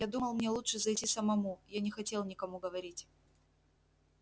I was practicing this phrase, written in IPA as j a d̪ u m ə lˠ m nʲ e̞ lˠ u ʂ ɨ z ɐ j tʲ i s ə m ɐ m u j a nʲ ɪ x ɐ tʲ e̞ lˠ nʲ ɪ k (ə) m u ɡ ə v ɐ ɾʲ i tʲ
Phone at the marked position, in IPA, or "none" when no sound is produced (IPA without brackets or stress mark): ɐ